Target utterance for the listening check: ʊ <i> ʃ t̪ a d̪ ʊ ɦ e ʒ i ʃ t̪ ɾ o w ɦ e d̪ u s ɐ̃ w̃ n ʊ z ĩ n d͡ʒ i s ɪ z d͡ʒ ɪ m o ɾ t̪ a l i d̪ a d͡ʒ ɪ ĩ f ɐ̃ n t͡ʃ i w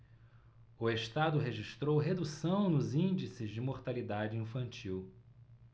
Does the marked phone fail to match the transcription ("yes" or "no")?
yes